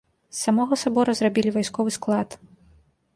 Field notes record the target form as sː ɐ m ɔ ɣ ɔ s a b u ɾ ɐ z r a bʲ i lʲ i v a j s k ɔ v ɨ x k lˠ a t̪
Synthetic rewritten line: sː a m ɔ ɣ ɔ s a b ɔ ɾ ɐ z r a bʲ i lʲ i v a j s k ɔ v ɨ s k lˠ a t̪